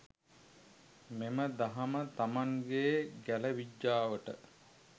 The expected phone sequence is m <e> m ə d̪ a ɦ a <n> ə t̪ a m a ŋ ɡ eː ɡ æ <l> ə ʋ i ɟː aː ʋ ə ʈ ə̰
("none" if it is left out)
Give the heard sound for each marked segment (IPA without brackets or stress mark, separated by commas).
e, m, l